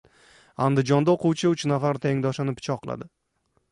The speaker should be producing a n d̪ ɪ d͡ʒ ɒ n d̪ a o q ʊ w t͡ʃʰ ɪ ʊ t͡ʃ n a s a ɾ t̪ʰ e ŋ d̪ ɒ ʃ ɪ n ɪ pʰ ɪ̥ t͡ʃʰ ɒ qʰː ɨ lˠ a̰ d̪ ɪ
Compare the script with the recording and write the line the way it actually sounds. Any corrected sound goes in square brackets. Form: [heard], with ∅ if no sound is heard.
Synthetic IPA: a n d̪ ɪ d͡ʒ ɒ n d̪ a o q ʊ w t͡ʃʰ ɪ ʊ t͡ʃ n a [f] a ɾ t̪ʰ e ŋ d̪ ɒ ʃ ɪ n ɪ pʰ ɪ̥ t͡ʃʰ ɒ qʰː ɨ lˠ a̰ d̪ ɪ